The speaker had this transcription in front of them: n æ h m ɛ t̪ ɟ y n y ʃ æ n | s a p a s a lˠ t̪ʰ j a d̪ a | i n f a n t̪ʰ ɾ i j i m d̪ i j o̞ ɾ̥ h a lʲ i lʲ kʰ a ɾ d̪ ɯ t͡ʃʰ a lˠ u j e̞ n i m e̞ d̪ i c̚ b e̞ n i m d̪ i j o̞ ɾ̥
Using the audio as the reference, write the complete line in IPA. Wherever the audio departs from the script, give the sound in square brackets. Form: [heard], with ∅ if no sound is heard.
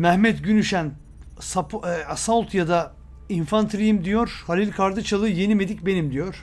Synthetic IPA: [m] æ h m ɛ t̪ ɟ y n y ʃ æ n | s a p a s a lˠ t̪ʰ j a d̪ a | i n f a n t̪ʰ ɾ i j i m d̪ i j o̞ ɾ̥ h a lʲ i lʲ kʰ a ɾ d̪ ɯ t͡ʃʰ a lˠ [ɯ] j e̞ n i m e̞ d̪ i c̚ b e̞ n i m d̪ i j o̞ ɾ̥

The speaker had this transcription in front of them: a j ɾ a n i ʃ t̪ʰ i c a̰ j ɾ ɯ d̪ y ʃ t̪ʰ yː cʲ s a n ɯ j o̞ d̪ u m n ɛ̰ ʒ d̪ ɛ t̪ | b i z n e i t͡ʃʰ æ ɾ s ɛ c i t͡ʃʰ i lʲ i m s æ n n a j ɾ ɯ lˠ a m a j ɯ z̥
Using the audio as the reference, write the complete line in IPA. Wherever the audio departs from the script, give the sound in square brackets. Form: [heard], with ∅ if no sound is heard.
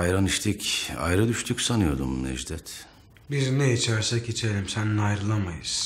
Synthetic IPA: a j ɾ a n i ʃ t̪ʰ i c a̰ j ɾ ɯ d̪ y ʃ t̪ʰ [y] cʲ s a n ɯ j o̞ d̪ u m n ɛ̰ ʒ d̪ ɛ t̪ | b i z n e i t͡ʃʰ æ ɾ s ɛ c i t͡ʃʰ [e] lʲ i m s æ n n a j ɾ ɯ lˠ a m a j ɯ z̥

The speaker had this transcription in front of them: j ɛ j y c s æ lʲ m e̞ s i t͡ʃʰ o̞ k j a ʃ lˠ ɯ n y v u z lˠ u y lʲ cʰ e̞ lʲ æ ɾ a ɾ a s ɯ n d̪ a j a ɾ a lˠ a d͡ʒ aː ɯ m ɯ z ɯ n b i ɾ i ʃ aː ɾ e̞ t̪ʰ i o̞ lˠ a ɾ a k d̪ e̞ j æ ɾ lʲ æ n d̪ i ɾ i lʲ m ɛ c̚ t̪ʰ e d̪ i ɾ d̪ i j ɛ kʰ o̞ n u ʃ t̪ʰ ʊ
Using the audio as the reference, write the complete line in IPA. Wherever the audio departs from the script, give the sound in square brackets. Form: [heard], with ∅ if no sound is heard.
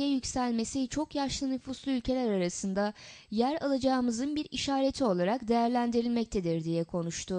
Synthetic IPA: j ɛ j y c s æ lʲ m e̞ s i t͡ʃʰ o̞ k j a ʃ lˠ ɯ n y [f] u [s] lˠ u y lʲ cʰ e̞ lʲ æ ɾ a ɾ a s ɯ n d̪ a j [æ] ɾ a lˠ a d͡ʒ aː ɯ m ɯ z ɯ n b i ɾ i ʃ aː ɾ e̞ t̪ʰ i o̞ lˠ a ɾ a k d̪ e̞ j æ ɾ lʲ æ n d̪ i ɾ i lʲ m ɛ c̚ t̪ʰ e d̪ i ɾ d̪ i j ɛ kʰ o̞ n u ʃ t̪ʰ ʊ

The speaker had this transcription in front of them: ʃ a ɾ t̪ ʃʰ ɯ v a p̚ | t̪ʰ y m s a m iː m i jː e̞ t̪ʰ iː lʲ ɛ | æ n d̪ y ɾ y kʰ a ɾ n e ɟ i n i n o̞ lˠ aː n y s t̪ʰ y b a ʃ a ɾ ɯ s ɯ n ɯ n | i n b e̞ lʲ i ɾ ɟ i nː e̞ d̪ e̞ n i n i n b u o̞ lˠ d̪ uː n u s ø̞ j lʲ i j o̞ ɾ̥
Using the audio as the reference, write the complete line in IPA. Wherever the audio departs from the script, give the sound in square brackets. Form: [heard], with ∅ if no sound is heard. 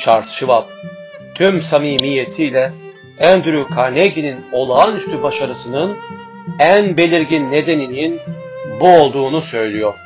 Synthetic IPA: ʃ a ɾ t̪ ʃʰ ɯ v a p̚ | t̪ʰ y m s a m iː m i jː e̞ t̪ʰ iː lʲ ɛ | æ n d̪ y ɾ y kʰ a ɾ n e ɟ i n i n o̞ lˠ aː n y s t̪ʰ y b a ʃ a ɾ ɯ s ɯ n ɯ n | [æ] n b e̞ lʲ i ɾ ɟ i nː e̞ d̪ e̞ n i n i n b u o̞ lˠ d̪ uː n u s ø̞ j lʲ i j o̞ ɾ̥

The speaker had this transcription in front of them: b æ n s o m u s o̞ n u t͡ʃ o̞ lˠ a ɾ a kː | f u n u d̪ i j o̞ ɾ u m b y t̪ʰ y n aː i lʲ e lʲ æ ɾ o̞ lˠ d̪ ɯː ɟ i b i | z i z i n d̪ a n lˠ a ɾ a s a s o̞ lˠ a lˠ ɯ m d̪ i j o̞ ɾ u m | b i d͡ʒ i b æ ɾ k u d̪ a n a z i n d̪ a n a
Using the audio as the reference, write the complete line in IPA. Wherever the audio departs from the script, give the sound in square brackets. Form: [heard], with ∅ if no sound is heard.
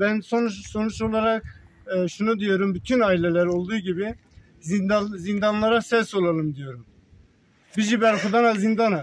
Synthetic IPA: b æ n s o [n] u s o̞ n u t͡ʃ o̞ lˠ a ɾ a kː | [ʃ] u n u d̪ i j o̞ ɾ u m b y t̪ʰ y n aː i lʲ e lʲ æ ɾ o̞ lˠ d̪ [uː] ɟ i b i | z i z i n d̪ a n lˠ a ɾ a s [ɛ] s o̞ lˠ a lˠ ɯ m d̪ i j o̞ ɾ u m | b i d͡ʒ i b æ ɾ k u d̪ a n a z i n d̪ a n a

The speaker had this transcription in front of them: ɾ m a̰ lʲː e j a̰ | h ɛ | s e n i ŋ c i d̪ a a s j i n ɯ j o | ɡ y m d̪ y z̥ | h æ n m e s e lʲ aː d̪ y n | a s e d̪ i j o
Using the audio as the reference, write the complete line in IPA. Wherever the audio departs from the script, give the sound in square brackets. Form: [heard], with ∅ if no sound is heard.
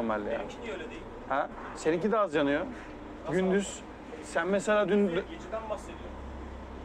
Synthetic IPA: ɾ m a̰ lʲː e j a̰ | h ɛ | s e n i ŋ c i d̪ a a [z] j [a] n ɯ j o | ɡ y [n] d̪ y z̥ | [s] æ n m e s e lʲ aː d̪ y n | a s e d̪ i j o

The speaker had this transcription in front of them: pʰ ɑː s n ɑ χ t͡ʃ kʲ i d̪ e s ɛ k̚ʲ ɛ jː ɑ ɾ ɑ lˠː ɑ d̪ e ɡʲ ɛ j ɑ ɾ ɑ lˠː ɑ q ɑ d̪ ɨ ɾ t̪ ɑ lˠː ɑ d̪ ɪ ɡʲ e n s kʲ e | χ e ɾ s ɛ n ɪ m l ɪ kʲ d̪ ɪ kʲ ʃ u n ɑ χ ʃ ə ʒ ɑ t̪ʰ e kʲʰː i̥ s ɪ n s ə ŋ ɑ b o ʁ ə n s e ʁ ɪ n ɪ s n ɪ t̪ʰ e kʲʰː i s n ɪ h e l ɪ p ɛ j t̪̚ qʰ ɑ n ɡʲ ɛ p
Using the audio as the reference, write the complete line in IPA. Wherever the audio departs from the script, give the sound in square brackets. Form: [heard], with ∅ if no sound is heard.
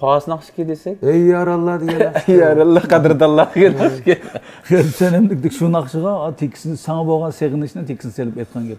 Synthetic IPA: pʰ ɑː s n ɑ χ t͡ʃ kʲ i d̪ e s ɛ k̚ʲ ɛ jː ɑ ɾ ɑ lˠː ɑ d̪ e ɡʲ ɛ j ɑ ɾ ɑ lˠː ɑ q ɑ d̪ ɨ ɾ [d̪] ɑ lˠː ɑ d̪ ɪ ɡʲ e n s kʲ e | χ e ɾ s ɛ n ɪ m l ɪ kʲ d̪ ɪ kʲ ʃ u n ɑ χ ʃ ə [ʁ] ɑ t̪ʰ e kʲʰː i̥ s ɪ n s [ɑ] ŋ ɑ b o ʁ [ɑ] n s e ʁ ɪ n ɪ [ʃ] n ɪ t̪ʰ e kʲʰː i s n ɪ [s] e l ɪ p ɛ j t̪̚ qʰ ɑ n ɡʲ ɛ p

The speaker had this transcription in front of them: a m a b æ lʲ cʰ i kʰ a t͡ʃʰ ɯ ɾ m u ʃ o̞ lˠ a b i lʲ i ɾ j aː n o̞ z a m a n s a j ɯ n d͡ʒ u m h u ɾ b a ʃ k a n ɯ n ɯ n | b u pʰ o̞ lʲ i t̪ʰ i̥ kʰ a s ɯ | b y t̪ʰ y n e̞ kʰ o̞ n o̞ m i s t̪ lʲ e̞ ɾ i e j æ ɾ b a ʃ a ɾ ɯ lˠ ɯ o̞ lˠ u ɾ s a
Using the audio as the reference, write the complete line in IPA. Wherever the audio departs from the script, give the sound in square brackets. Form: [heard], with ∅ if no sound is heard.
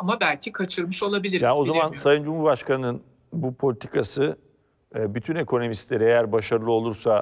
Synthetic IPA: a m a b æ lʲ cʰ i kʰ a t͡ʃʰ ɯ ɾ m [ɯ] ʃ o̞ lˠ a b i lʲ i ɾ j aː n o̞ z a m a n s a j ɯ n d͡ʒ u m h u ɾ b a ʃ k a n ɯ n ɯ n | b u pʰ o̞ lʲ i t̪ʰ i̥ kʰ a s ɯ | b y t̪ʰ y n e̞ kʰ o̞ n o̞ m i s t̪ lʲ e̞ ɾ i e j æ ɾ b a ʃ a ɾ ɯ lˠ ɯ o̞ lˠ u ɾ s a

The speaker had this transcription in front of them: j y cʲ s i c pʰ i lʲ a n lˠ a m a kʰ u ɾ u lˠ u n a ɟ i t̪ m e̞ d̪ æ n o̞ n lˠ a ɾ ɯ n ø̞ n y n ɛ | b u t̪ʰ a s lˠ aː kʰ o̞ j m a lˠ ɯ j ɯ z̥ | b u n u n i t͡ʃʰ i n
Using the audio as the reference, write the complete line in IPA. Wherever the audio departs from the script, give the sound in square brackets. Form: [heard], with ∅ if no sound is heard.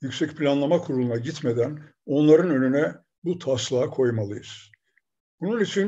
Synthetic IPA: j y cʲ s [ɛ] c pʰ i lʲ a n lˠ a m a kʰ u ɾ u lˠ u n a ɟ i t̪ m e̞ d̪ æ n o̞ n lˠ a ɾ ɯ n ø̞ n y n ɛ | b u t̪ʰ a s lˠ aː kʰ o̞ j m a lˠ ɯ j ɯ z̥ | b u n u n i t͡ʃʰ i n

